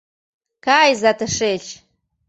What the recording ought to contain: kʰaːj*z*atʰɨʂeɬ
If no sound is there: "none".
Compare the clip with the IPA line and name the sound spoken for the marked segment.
z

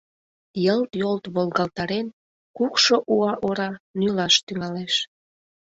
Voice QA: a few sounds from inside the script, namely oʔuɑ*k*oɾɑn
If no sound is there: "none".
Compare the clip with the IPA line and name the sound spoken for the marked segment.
ʔ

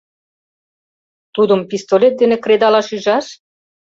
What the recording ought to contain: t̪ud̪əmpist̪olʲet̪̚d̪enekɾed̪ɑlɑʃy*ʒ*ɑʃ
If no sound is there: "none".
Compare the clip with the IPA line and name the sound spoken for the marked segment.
ʒ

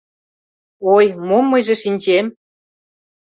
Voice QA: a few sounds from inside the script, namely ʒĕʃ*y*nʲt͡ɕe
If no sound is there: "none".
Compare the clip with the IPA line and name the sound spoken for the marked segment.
i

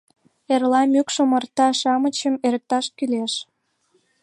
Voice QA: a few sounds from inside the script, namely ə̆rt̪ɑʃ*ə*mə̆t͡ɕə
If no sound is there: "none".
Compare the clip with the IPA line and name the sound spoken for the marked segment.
ɑ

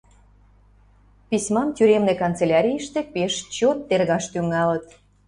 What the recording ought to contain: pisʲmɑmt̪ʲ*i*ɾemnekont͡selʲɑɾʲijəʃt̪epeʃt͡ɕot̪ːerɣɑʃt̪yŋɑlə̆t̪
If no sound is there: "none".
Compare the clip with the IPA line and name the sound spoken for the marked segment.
y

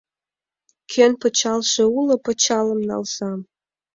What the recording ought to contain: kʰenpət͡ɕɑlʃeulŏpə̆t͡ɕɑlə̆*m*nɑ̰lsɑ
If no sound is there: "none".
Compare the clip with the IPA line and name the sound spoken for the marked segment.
m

